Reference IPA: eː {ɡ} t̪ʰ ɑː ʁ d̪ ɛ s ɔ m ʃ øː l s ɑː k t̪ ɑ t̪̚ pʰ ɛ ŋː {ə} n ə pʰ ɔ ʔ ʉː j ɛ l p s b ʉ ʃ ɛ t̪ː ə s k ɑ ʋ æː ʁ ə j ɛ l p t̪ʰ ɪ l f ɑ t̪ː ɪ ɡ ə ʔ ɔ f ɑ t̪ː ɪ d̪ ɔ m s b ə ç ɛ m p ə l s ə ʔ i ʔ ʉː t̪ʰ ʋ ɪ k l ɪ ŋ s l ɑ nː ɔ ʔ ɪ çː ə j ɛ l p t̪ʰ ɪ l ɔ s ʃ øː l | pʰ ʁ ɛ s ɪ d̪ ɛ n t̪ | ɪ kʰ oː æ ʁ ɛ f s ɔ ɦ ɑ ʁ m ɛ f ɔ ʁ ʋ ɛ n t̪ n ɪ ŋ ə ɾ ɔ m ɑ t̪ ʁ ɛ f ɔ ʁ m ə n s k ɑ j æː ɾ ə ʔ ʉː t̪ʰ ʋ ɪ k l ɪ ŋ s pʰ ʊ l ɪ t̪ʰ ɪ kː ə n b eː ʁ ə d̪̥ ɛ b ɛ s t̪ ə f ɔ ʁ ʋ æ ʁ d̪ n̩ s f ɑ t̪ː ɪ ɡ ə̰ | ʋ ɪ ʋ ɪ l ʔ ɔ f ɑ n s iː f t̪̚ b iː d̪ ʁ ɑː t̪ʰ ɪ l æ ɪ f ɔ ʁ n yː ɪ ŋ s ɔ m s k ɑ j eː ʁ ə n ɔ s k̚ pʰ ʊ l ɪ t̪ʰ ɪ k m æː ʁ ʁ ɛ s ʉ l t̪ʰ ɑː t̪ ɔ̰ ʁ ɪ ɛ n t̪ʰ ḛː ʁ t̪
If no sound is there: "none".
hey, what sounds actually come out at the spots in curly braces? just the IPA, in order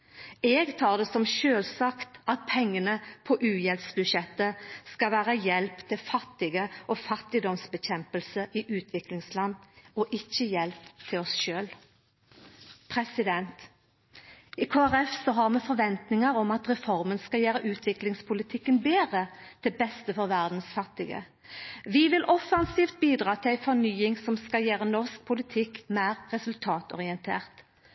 ɡ, ə

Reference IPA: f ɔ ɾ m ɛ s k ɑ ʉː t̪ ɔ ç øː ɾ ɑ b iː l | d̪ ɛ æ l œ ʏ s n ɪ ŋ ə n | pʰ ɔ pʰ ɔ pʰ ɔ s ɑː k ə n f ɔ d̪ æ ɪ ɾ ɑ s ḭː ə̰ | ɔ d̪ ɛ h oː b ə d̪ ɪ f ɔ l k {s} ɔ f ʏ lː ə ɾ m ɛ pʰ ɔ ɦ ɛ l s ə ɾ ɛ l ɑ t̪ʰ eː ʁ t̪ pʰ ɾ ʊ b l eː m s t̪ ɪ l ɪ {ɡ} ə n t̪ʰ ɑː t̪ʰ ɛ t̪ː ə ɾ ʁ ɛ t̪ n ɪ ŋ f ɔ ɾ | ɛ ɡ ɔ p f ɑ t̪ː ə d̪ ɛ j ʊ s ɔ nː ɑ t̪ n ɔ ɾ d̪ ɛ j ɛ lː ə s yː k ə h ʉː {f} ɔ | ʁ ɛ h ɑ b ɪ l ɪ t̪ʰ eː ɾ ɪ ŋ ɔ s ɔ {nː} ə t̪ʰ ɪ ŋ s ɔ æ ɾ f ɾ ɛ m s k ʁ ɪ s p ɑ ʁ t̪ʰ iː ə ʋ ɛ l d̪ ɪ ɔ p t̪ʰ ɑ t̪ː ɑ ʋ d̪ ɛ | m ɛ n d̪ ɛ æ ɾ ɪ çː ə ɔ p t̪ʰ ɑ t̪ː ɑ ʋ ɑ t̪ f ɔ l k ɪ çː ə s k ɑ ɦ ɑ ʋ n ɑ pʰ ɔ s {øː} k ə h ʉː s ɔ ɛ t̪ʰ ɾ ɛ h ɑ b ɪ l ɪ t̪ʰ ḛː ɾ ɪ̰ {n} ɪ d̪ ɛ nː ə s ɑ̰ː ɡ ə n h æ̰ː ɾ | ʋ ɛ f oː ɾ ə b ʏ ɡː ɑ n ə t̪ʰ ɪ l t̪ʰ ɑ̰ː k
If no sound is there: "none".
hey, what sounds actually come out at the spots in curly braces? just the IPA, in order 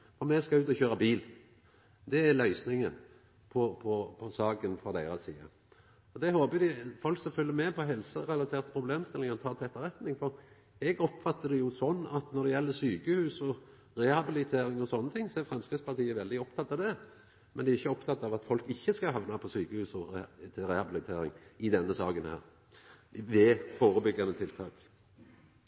s, ŋ, s, nː, yː, ŋ

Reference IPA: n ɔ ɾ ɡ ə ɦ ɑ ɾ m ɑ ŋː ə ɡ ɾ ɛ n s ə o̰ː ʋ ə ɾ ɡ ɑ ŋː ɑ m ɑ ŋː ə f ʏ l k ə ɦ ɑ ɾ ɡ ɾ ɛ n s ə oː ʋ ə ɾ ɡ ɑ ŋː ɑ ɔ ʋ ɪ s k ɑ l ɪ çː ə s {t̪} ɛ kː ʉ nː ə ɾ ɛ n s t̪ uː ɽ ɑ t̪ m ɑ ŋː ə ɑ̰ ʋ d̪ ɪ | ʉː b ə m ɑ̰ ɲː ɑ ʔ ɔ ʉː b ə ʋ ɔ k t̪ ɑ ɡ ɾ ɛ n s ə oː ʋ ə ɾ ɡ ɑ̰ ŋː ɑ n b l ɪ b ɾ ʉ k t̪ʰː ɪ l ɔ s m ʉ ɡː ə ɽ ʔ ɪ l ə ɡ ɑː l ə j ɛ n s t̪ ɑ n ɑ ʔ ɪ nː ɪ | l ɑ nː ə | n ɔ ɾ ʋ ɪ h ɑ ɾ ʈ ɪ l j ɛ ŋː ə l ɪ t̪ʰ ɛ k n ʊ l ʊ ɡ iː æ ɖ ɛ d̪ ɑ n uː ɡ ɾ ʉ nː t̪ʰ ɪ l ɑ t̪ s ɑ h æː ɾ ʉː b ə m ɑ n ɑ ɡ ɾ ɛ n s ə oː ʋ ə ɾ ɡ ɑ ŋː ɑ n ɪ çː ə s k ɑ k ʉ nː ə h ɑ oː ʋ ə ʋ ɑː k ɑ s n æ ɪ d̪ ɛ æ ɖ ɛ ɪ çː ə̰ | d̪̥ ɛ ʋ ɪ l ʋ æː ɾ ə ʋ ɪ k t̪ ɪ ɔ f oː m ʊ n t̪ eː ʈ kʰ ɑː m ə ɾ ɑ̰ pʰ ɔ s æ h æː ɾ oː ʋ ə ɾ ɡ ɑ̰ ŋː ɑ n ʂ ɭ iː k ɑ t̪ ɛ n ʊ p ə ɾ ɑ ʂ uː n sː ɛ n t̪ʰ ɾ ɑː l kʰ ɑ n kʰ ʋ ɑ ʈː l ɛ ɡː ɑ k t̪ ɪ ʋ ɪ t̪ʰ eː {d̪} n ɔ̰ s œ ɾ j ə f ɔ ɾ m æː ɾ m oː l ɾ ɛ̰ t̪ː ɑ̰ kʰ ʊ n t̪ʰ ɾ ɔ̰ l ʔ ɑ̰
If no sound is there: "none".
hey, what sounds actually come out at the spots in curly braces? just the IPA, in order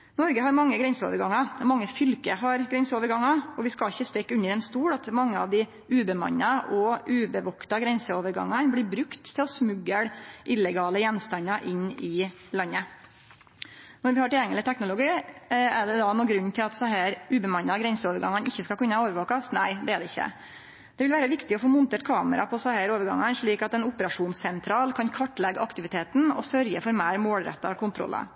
t̪, t̪

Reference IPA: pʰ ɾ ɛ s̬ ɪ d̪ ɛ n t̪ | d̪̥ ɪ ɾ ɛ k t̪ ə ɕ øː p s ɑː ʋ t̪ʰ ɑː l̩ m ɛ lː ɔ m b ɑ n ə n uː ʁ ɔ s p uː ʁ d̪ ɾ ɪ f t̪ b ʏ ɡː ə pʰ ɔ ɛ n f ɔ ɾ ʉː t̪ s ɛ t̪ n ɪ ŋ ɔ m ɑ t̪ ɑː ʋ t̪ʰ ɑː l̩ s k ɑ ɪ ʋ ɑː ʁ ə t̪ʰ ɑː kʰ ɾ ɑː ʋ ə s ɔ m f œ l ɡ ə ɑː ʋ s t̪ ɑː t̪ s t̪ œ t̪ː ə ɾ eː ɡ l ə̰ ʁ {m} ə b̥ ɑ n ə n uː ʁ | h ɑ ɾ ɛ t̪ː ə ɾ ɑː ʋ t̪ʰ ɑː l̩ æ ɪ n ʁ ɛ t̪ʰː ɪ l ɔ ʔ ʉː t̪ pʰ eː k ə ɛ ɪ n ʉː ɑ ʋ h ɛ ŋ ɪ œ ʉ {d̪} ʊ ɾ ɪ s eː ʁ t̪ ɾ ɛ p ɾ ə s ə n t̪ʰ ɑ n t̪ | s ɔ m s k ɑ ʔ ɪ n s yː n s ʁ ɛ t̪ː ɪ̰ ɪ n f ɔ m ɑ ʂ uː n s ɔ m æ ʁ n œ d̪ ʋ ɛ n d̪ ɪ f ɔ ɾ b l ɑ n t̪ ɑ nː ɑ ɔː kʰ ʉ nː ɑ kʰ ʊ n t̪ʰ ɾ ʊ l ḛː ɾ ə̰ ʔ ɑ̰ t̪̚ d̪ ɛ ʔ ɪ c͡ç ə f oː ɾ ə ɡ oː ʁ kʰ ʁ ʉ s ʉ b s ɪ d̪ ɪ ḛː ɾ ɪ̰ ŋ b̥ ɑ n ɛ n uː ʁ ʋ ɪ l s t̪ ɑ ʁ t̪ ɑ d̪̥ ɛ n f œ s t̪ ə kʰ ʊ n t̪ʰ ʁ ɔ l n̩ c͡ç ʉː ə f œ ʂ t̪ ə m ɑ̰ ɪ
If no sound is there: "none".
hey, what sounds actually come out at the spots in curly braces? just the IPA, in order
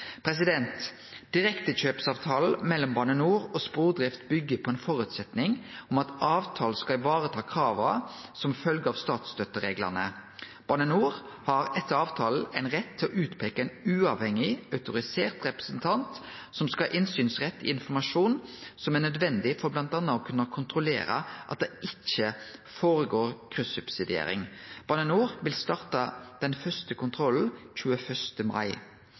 n, t̪

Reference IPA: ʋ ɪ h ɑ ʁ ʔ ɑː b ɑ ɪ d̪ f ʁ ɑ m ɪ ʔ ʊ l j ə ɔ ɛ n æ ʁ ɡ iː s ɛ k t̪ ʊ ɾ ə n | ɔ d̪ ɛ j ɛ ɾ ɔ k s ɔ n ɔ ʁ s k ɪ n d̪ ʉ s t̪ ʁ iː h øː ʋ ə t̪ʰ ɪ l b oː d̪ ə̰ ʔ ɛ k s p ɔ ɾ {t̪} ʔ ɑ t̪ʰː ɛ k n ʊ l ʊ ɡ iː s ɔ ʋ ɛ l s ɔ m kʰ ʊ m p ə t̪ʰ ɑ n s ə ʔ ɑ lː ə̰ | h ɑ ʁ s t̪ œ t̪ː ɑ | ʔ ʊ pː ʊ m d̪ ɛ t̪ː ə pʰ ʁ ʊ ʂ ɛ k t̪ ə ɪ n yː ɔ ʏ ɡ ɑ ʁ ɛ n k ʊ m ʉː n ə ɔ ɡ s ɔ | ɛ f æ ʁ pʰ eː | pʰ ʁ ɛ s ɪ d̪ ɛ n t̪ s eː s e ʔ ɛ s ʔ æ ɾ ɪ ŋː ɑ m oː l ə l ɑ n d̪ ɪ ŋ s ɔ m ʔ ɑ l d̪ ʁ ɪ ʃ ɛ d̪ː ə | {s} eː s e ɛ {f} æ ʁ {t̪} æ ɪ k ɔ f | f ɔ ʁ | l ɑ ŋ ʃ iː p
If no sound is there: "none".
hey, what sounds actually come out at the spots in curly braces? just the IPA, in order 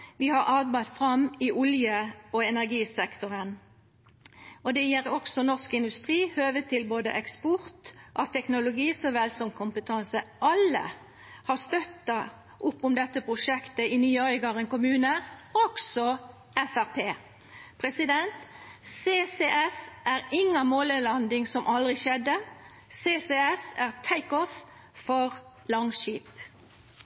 t̪, s, s, t̪ʰ

